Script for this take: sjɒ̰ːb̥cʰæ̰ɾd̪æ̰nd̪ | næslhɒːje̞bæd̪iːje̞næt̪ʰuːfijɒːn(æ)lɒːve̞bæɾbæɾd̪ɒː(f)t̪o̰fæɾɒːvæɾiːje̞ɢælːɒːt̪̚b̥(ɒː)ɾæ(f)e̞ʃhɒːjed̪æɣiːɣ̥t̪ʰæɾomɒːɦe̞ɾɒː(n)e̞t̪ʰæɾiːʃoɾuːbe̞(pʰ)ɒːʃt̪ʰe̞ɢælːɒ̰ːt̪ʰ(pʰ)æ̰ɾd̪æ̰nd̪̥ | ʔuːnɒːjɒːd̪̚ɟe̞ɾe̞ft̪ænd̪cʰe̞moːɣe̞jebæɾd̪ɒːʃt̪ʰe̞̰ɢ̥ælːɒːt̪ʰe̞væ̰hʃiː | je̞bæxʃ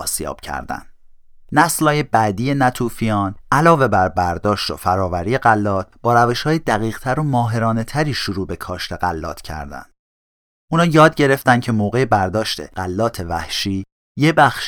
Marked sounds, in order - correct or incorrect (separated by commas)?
correct, incorrect, correct, incorrect, correct, incorrect, incorrect